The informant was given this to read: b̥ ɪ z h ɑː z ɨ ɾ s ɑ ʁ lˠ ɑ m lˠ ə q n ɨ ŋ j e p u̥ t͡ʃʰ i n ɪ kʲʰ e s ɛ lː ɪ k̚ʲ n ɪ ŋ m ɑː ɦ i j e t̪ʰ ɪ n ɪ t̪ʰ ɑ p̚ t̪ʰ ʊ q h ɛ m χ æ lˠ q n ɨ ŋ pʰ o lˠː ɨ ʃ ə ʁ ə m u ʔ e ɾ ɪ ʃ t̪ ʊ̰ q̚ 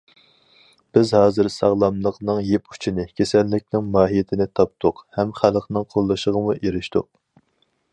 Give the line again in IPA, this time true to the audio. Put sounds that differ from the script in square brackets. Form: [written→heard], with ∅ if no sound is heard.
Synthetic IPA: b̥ ɪ z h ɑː z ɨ ɾ s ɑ ʁ lˠ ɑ m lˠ ə q n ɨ ŋ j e p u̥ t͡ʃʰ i n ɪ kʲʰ e s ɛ lː ɪ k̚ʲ n ɪ ŋ m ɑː ɦ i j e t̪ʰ ɪ n ɪ t̪ʰ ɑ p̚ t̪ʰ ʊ q h ɛ m χ æ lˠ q n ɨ ŋ [pʰ→qʰ] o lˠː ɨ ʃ ə ʁ ə m u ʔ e ɾ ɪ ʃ t̪ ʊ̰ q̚

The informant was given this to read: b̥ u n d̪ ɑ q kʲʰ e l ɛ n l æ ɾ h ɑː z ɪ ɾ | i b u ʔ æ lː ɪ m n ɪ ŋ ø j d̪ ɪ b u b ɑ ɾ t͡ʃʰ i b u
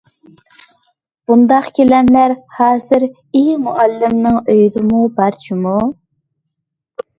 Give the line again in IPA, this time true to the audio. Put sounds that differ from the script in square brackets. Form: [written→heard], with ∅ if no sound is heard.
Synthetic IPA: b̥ u n d̪ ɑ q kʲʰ e l ɛ n l æ ɾ h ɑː z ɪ ɾ | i [b→m] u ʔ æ lː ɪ m n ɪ ŋ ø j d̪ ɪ [b→m] u b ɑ ɾ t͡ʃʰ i [b→m] u

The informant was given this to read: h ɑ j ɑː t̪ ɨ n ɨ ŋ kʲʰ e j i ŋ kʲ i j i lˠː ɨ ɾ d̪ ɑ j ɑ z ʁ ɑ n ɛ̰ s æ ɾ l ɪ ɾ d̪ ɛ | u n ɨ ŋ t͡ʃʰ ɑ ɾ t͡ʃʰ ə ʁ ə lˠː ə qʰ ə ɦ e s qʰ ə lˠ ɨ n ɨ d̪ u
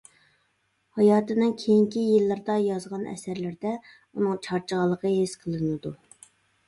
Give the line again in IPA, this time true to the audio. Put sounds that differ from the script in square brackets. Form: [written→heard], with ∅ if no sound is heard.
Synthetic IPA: h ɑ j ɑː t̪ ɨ n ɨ ŋ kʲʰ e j i ŋ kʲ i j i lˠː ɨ ɾ d̪ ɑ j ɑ z ʁ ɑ n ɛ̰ s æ ɾ l ɪ ɾ d̪ ɛ | u n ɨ ŋ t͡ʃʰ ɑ ɾ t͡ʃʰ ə ʁ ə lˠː ə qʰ ə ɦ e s qʰ ə lˠ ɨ n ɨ d̪ u

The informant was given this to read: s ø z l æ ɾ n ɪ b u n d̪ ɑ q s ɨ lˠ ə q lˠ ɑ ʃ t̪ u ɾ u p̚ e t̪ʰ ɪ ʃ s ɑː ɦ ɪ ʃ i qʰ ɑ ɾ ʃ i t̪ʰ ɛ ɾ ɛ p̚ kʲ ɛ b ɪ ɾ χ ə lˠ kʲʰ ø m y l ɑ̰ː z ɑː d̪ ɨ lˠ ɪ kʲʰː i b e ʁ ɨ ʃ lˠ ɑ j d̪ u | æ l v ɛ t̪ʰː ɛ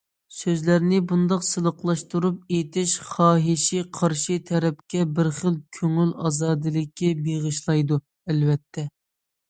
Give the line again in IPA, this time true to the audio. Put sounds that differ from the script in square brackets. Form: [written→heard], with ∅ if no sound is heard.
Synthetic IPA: s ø z l æ ɾ n ɪ b u n d̪ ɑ q s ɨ lˠ ə q lˠ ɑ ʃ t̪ u ɾ u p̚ e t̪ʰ ɪ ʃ [s→χ] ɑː ɦ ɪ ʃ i qʰ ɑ ɾ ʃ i t̪ʰ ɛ ɾ ɛ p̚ kʲ ɛ b ɪ ɾ χ ə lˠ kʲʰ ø [m→ŋ] y l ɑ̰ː z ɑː d̪ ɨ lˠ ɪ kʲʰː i b e ʁ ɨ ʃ lˠ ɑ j d̪ u | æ l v ɛ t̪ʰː ɛ

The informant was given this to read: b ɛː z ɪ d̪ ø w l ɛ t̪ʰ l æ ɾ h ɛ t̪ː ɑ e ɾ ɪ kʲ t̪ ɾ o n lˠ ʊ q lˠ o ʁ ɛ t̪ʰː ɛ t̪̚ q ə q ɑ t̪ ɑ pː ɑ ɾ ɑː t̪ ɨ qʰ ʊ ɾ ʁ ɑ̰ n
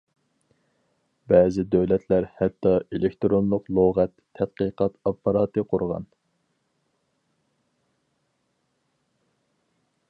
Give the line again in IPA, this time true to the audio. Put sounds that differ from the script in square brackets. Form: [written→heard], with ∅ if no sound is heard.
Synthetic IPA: b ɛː z ɪ d̪ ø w l ɛ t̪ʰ l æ ɾ h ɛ t̪ː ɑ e [ɾ→l] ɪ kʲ t̪ ɾ o n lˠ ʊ q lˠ o ʁ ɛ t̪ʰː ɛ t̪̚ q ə q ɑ t̪ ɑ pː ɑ ɾ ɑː t̪ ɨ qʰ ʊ ɾ ʁ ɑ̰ n

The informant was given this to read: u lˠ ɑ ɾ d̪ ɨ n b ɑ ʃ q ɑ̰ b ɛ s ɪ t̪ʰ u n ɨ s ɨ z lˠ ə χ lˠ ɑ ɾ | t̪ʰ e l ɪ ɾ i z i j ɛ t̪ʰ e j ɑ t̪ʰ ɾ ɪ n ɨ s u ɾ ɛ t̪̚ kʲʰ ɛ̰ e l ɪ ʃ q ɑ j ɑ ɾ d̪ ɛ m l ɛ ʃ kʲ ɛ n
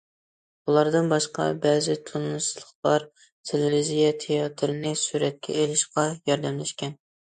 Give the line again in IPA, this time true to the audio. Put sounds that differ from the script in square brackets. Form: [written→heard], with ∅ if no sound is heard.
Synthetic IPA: u lˠ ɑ ɾ d̪ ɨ n b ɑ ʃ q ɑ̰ b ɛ [s→z] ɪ t̪ʰ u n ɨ s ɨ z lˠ ə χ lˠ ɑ ɾ | t̪ʰ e l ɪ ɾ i z i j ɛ t̪ʰ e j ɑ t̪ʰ ɾ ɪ n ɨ s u ɾ ɛ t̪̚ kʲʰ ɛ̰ e l ɪ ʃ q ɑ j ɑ ɾ d̪ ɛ m l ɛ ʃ kʲ ɛ n

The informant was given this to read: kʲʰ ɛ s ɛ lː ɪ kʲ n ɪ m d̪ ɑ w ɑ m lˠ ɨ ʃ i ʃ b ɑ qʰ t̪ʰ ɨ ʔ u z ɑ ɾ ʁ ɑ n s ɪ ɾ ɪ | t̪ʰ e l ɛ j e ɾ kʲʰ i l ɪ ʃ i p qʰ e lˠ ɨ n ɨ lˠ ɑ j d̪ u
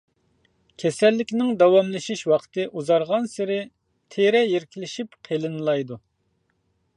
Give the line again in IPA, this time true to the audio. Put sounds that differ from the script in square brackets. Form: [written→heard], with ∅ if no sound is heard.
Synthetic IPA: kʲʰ ɛ s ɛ lː ɪ kʲ n ɪ [m→ŋ] d̪ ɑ w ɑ m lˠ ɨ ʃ i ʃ [b→w] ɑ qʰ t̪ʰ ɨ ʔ u z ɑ ɾ ʁ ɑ n s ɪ ɾ ɪ | t̪ʰ e [l→ɾ] ɛ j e ɾ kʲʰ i l ɪ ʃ i p qʰ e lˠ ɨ n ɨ lˠ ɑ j d̪ u

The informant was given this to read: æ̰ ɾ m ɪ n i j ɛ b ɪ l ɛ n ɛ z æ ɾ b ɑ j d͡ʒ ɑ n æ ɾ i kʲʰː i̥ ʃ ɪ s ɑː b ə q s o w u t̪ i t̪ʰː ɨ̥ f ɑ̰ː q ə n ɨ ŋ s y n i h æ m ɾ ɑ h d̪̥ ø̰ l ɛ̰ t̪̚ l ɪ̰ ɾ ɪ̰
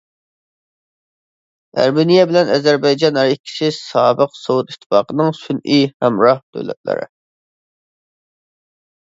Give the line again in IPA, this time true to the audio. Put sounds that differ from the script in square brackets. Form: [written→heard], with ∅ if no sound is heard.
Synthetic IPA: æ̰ ɾ m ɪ n i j ɛ b ɪ l ɛ n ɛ z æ ɾ b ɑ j d͡ʒ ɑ n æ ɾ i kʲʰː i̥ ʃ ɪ s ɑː b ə q s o w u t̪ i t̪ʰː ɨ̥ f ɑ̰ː q ə n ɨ ŋ s y n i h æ m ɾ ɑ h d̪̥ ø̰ l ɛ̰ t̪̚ l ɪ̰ ɾ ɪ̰

